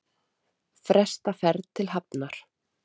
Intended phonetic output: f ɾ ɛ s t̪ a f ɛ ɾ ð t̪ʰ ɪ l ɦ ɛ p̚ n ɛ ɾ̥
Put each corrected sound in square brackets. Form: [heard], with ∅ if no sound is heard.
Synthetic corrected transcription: f ɾ ɛ s t̪ a f ɛ ɾ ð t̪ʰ ɪ l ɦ [a] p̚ n [a] ɾ̥